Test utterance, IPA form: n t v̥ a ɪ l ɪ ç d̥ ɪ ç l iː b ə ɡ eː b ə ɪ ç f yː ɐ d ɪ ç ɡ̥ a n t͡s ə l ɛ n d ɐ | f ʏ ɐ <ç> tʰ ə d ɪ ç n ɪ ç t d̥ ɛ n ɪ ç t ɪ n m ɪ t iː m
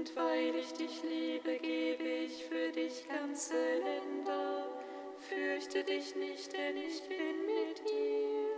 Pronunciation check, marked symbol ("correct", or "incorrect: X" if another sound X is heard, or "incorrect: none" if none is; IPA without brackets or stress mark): correct